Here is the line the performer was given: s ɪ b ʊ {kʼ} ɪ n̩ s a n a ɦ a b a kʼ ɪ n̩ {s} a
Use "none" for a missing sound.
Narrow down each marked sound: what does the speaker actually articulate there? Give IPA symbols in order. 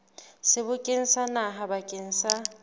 kʼ, s

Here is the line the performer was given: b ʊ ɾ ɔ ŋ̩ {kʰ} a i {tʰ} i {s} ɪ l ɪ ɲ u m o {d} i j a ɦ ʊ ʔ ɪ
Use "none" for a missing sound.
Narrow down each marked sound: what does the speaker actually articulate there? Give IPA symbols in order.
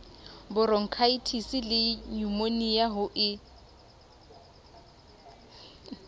kʰ, tʰ, s, n

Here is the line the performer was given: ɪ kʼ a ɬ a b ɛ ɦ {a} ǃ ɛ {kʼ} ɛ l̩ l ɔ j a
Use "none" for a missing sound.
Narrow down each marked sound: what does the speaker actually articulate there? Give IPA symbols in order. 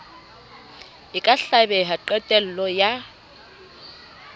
a, tʼ

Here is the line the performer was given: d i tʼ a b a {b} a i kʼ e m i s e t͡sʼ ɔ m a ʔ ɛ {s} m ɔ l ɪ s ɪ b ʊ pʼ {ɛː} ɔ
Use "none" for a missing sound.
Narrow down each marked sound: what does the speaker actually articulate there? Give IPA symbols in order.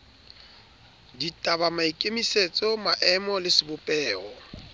m, none, ɛː

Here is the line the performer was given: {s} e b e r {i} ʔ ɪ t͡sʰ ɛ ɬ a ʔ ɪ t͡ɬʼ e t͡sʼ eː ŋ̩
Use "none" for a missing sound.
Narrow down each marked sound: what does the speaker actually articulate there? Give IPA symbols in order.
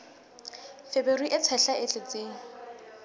f, i

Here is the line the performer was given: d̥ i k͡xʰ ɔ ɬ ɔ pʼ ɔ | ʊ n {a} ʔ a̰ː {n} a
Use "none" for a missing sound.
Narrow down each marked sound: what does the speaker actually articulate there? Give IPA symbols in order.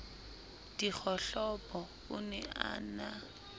ɛ, n

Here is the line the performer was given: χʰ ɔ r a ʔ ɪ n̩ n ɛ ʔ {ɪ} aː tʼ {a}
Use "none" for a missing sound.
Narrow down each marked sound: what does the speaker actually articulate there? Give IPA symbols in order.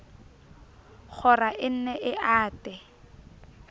ɪ, ɛ

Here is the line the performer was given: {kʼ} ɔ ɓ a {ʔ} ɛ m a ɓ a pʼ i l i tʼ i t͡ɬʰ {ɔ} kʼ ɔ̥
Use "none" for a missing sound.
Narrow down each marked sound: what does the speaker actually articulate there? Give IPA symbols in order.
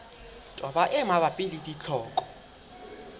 tʼ, ʔ, ɔː

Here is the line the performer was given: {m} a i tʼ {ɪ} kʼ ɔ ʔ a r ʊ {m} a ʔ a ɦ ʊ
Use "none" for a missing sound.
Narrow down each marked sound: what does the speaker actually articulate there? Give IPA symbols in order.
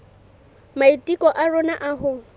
m, i, n

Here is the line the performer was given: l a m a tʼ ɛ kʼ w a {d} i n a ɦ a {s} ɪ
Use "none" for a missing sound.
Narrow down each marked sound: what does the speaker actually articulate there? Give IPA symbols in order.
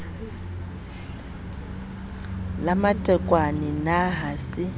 n, s

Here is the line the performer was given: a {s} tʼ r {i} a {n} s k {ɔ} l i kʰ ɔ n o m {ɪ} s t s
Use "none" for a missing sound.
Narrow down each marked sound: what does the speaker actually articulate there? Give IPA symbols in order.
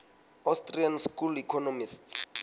s, i, n, u, i

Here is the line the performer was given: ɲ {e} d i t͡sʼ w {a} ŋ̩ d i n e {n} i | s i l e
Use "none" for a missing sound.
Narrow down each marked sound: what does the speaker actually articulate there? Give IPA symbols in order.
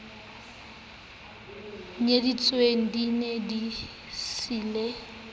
e, e, d

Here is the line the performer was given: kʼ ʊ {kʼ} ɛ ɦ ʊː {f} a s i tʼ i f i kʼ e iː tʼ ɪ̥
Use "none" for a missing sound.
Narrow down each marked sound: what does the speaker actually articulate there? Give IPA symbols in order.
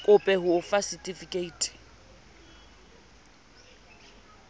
pʼ, f

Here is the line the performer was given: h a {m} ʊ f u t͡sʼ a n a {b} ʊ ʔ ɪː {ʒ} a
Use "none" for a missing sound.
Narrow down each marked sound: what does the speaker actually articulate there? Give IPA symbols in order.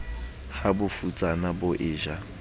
b, b, ʒ

